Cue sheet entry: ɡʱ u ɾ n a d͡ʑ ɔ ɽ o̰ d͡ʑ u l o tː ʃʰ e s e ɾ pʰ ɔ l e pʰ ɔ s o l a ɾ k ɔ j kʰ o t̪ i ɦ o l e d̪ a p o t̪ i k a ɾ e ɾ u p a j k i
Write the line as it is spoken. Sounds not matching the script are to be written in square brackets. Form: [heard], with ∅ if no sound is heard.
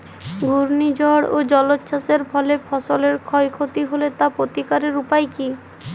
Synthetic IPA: ɡʱ u ɾ n [i] d͡ʑ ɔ ɽ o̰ d͡ʑ [ɔ] l o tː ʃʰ [a] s e ɾ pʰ ɔ l e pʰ ɔ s o l [e] ɾ [kʰ] ɔ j kʰ o t̪ i ɦ o l e [t̪] a p o t̪ i k a ɾ e ɾ u p a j k i

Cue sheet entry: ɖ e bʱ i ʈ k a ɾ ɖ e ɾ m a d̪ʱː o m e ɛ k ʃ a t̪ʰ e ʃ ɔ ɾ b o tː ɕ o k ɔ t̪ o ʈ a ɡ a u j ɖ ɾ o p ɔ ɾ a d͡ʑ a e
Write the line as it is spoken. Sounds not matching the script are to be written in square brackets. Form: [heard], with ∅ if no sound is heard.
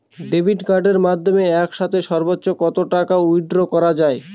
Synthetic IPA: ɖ e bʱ i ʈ k a ɾ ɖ e ɾ m a d̪ʱː o m e ɛ k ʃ a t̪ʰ e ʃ ɔ ɾ b o tː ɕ o k ɔ t̪ o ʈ a [k] a u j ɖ ɾ o [k] ɔ ɾ a d͡ʑ a e

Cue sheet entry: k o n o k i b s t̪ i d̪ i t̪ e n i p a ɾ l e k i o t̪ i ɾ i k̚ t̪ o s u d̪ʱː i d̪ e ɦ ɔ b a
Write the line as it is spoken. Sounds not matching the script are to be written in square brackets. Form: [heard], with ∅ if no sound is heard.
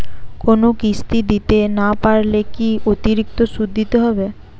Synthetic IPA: k o n o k i [∅] s t̪ i d̪ i t̪ e n [a] p a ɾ l e k i o t̪ i ɾ i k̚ t̪ o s u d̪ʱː i [t̪] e ɦ ɔ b [e]

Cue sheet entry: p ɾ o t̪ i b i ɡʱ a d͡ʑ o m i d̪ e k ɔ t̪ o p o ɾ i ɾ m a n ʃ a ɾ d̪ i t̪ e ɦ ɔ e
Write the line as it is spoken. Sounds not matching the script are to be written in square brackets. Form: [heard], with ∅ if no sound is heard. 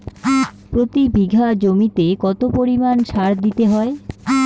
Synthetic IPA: p ɾ o t̪ i b i ɡʱ a d͡ʑ o m i [t̪] e k ɔ t̪ o p o ɾ i [∅] m a n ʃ a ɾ d̪ i t̪ e ɦ ɔ e

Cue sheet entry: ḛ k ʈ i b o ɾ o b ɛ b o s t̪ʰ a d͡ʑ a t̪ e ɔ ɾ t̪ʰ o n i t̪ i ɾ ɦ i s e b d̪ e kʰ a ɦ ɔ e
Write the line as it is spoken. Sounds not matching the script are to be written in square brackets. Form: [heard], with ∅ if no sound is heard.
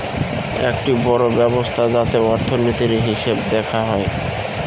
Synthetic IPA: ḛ k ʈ i b [ɔ] ɾ o b ɛ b o s t̪ʰ a d͡ʑ a t̪ e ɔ ɾ t̪ʰ o n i t̪ i ɾ ɦ i [ʃ] e b d̪ [ɛ] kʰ a ɦ ɔ e

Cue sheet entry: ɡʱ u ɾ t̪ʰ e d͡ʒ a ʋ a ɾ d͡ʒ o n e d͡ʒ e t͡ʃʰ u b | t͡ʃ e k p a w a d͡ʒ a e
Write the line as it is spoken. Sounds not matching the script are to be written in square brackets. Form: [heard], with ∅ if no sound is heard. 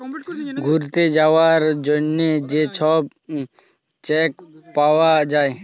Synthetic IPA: ɡʱ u ɾ [t̪] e d͡ʒ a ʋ a ɾ d͡ʒ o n e d͡ʒ e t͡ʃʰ [ɔ] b | t͡ʃ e k p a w a d͡ʒ a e

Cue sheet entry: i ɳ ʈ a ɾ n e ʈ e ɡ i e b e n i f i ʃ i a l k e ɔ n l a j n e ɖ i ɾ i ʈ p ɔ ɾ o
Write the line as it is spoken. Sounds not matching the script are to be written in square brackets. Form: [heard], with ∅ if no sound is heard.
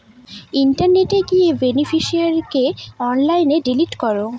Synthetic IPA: i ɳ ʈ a ɾ n e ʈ e ɡ i e b e n i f i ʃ i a [ɾ] k e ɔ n l a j n e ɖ i [l] i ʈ [k] ɔ ɾ o

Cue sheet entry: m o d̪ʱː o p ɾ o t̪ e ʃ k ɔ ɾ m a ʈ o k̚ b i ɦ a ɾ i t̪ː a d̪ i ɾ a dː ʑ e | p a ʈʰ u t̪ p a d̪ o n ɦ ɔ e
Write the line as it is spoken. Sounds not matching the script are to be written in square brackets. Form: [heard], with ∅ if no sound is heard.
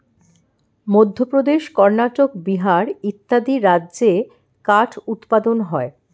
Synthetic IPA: m o d̪ʱː o p ɾ o [d̪] e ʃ k ɔ ɾ [n] a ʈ o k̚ b i ɦ a ɾ i t̪ː a d̪ i ɾ a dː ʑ e | [k] a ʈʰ u t̪ p a d̪ o n ɦ ɔ e

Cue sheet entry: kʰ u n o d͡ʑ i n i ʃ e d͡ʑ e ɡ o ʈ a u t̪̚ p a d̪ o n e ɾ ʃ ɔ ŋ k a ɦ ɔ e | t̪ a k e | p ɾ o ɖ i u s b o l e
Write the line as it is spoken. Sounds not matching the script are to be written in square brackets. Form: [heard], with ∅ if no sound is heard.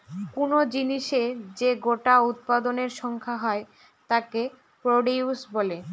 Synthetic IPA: [k] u n o d͡ʑ i n i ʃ e d͡ʑ e ɡ o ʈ a u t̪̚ p a d̪ o n e ɾ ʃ ɔ ŋ [kʰ] a ɦ ɔ e | t̪ a k e | p ɾ o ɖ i u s b o l e

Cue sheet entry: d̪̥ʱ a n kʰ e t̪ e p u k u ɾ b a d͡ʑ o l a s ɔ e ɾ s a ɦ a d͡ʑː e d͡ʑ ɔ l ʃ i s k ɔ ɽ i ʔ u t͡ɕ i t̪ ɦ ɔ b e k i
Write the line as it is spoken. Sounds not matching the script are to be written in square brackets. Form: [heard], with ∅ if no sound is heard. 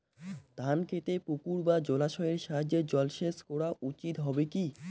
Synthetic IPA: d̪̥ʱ a n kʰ e t̪ e p u k u ɾ b a d͡ʑ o l a [ʃ] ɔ e ɾ [ʃ] a ɦ a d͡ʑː e d͡ʑ ɔ l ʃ [e] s k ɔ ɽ [a] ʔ u t͡ɕ i t̪ ɦ ɔ b e k i

